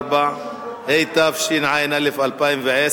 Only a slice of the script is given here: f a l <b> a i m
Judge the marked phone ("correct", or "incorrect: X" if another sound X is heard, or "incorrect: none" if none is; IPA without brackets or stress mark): incorrect: p